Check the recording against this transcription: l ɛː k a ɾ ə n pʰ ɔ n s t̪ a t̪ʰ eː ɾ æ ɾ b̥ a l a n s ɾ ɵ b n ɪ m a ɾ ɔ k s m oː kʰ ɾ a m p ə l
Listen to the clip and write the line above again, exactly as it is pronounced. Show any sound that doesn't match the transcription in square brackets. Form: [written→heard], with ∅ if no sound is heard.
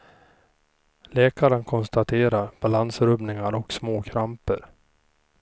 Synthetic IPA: l ɛː k a ɾ ə n [pʰ→kʰ] ɔ n s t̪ a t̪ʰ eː ɾ [æ→a] ɾ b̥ a l a n s ɾ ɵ b n ɪ [m→ŋ] a ɾ ɔ k s m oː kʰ ɾ a m p ə [l→ɾ]